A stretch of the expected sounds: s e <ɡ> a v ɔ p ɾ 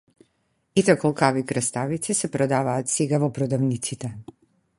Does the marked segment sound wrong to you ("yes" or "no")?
no